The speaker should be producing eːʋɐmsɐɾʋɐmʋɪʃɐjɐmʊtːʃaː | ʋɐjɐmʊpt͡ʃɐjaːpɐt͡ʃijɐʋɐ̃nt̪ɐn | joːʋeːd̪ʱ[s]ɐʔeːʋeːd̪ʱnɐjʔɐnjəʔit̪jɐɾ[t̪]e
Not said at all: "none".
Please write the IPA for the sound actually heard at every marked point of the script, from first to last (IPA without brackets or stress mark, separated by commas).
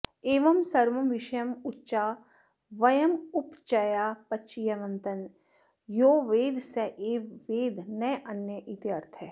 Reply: s, t̪ʰ